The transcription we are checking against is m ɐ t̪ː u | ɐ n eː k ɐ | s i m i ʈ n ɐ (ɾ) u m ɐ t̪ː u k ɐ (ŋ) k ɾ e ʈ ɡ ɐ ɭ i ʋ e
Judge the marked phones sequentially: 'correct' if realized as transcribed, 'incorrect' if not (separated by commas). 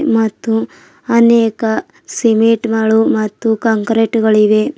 incorrect, correct